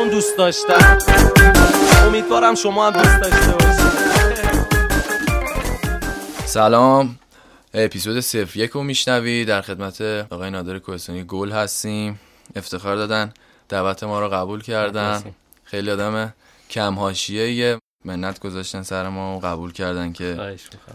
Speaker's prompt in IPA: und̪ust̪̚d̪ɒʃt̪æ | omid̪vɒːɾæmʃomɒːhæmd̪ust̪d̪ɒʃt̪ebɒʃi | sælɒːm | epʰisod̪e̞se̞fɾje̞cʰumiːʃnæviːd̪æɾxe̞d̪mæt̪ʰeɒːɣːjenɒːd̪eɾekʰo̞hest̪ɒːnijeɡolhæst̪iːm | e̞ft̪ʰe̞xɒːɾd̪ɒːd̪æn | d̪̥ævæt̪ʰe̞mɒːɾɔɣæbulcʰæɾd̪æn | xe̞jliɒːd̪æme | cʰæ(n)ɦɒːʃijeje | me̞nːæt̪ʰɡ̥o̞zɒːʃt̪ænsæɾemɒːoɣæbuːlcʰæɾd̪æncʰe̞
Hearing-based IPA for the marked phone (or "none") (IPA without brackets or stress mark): m